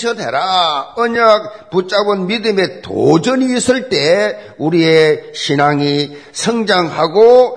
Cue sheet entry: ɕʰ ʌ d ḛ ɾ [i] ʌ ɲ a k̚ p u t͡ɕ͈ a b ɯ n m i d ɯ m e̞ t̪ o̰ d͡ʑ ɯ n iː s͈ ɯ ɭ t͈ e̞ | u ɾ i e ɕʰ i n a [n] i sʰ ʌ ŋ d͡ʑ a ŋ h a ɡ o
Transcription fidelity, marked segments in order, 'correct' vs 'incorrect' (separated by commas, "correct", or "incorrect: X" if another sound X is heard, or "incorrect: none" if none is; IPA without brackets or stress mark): incorrect: a, incorrect: ŋ